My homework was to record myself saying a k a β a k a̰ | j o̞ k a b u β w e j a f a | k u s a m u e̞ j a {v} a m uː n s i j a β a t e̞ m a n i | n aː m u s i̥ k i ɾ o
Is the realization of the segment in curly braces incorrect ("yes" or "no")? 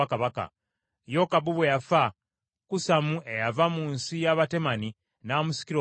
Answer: no